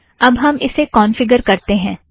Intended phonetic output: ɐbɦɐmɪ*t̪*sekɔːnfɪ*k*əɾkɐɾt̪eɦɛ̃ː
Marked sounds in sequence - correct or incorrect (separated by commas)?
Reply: incorrect, incorrect